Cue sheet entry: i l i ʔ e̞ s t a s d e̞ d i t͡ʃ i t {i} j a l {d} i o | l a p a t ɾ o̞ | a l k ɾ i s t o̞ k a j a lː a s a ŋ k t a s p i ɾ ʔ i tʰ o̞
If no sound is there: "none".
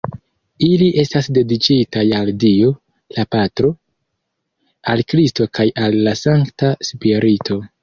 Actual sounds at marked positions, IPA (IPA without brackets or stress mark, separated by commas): a, d